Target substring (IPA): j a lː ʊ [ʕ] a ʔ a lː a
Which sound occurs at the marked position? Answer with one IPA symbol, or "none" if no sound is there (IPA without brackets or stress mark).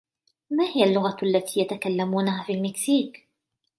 ɣ